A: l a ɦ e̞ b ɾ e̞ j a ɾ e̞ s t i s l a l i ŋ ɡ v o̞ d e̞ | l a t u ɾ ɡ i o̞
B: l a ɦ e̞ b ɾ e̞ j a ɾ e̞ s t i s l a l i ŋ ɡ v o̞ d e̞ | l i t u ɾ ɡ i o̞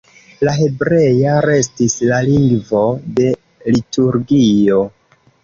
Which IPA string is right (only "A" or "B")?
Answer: B